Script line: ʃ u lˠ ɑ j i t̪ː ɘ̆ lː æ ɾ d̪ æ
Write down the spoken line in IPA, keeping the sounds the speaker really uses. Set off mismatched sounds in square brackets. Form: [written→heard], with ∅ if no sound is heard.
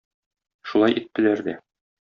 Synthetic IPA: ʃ u lˠ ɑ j i t̪ː ɘ̆ [lː→l] æ ɾ d̪ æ